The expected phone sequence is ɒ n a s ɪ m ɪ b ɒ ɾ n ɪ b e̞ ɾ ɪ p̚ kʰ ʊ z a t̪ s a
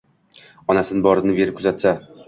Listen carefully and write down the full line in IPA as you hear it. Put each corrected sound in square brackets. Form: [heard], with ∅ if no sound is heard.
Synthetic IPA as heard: ɒ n a s ɪ [n] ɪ b ɒ ɾ n ɪ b e̞ ɾ ɪ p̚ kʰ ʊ z a t̪ s a